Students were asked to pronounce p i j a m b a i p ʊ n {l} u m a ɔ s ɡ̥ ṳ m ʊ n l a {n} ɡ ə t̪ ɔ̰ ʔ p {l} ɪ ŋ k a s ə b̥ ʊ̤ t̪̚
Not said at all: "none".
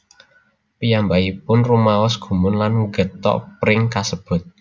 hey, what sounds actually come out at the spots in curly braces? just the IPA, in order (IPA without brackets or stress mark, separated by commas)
r, n, ɾ